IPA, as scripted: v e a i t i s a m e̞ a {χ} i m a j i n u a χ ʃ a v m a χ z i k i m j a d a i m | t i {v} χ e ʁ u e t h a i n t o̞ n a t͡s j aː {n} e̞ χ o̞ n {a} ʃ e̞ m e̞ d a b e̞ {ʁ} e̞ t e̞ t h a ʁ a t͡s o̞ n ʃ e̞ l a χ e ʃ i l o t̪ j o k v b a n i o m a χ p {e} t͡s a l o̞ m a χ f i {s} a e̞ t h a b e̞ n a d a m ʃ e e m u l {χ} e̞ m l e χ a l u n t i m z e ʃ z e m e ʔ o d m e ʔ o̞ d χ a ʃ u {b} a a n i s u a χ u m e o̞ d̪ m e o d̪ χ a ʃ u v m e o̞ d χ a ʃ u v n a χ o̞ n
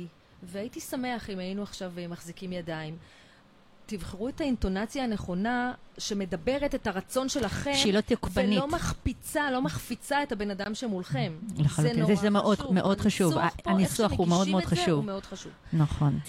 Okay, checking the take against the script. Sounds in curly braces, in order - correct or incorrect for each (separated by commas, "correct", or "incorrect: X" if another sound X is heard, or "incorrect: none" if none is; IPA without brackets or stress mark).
correct, correct, correct, correct, correct, incorrect: i, incorrect: t͡s, correct, incorrect: v